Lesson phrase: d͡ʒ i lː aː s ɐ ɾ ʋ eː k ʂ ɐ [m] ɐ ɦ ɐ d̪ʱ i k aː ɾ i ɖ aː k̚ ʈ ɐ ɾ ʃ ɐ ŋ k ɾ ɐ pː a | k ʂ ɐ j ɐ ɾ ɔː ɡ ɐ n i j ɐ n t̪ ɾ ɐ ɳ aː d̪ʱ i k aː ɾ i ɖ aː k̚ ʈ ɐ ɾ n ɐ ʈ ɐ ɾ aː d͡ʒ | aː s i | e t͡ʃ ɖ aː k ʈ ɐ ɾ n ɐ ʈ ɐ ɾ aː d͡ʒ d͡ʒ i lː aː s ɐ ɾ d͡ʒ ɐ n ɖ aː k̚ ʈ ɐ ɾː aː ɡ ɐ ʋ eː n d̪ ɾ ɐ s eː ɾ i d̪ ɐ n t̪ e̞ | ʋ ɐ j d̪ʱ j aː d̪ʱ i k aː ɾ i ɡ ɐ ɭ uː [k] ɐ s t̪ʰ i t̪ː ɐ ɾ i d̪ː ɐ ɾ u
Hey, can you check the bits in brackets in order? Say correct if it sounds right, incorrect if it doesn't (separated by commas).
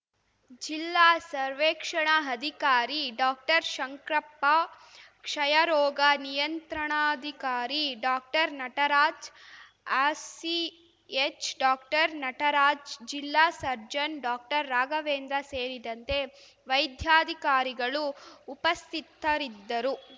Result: incorrect, incorrect